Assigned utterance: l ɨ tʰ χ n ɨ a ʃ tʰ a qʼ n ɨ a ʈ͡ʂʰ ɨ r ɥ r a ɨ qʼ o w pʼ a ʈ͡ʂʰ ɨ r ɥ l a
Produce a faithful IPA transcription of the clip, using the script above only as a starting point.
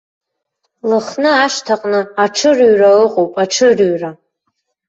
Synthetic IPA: l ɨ χ n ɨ a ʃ tʰ a qʼ n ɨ a ʈ͡ʂʰ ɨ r ɥ r a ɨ qʼ o w pʼ a ʈ͡ʂʰ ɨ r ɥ r a